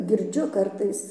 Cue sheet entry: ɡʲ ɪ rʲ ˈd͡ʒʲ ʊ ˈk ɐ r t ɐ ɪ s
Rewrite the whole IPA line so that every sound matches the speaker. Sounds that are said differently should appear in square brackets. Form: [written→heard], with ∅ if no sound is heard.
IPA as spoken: ɡʲ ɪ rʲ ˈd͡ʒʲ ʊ ˈk ɐ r t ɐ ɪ s